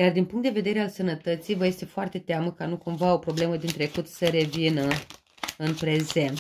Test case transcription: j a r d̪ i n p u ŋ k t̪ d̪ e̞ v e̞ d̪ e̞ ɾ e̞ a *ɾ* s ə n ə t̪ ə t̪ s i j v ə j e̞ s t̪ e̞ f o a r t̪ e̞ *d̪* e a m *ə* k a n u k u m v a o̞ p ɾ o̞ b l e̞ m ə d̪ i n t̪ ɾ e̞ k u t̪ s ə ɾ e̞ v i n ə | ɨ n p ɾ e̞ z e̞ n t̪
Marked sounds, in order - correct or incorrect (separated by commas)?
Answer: incorrect, incorrect, correct